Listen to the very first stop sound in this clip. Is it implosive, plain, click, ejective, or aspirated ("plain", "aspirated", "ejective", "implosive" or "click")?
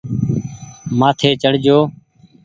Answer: aspirated